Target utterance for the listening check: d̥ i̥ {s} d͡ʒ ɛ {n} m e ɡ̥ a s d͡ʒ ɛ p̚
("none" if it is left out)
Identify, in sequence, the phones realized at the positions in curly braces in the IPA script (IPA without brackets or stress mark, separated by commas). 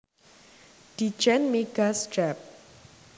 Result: none, n